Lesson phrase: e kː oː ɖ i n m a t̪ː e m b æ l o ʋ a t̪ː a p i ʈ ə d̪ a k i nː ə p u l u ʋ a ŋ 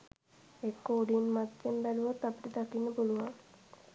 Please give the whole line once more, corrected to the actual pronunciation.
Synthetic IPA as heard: e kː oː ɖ i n m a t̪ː e m b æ l u ʋ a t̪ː a p i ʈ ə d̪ a k i nː ə p u l u ʋ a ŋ